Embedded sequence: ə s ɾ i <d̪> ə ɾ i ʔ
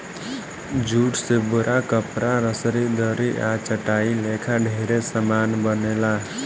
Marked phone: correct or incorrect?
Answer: correct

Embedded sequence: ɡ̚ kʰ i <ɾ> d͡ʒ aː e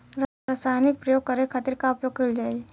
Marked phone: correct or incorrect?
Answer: incorrect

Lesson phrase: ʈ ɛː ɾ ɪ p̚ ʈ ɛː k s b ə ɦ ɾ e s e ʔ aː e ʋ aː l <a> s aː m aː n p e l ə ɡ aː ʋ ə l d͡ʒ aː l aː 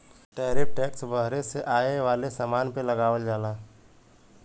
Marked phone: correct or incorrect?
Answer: incorrect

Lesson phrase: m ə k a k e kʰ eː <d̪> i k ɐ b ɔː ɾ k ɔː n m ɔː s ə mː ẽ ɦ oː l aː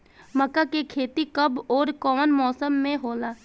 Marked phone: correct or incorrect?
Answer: incorrect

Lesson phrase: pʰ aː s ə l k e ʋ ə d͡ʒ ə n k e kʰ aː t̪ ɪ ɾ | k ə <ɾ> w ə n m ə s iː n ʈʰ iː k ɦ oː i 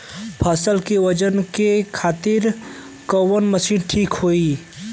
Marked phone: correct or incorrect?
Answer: incorrect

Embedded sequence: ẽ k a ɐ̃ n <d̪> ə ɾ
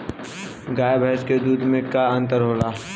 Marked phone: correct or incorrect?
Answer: incorrect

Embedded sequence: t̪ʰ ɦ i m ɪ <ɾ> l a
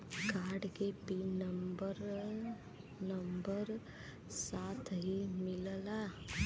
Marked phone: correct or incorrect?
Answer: incorrect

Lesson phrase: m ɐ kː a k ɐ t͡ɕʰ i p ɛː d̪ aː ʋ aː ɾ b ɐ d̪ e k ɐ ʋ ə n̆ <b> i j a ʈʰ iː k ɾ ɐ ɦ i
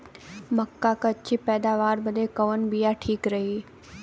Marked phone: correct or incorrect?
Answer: correct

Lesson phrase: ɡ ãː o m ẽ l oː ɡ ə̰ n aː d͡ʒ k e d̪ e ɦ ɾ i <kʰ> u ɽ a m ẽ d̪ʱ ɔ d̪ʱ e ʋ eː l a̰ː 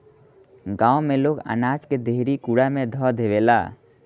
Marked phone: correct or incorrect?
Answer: incorrect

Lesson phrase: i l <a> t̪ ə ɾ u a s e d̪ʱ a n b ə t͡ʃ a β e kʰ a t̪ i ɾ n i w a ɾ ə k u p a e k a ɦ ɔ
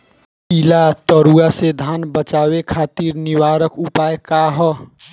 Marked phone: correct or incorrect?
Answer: correct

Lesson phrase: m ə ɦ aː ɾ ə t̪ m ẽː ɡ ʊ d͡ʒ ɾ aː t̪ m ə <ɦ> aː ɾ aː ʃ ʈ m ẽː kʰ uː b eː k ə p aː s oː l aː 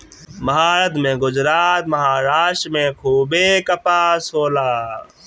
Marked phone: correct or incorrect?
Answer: correct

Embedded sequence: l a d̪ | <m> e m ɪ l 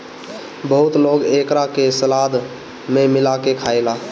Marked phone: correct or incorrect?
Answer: correct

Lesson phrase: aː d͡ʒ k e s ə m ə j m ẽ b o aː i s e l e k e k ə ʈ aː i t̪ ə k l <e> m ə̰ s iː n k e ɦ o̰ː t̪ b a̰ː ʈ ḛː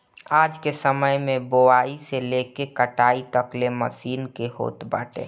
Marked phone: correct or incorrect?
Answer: correct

